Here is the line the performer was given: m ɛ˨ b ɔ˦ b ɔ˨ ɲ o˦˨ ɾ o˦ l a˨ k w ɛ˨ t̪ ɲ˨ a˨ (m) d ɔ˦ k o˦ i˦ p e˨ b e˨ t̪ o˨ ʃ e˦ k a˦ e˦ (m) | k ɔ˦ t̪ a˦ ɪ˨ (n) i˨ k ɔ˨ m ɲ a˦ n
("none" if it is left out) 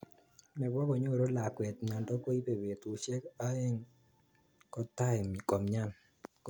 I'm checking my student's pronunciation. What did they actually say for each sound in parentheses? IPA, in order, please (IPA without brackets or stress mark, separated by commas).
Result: n, ŋ, m